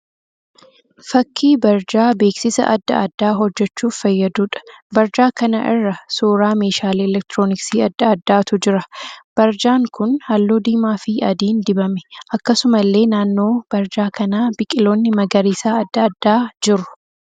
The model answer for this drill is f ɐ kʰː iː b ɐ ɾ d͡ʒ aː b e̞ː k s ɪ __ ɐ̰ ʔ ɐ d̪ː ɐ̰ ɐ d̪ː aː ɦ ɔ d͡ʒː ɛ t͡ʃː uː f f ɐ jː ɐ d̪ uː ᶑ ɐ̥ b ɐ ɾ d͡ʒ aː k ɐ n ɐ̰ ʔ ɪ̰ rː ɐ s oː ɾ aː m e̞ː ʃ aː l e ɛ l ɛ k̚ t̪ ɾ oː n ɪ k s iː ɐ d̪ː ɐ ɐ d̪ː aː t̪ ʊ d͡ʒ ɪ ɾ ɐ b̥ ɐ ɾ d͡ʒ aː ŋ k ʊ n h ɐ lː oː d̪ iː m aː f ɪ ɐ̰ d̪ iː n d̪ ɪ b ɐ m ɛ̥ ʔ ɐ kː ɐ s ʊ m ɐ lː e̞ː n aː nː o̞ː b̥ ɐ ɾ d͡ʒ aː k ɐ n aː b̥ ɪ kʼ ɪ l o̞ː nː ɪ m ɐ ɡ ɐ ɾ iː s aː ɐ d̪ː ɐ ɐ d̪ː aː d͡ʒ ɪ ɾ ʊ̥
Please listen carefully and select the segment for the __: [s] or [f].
s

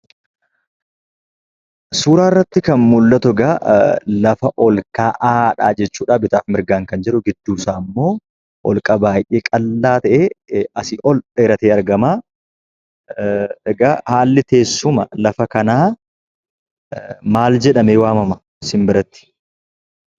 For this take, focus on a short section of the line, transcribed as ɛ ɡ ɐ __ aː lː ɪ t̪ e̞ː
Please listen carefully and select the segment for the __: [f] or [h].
h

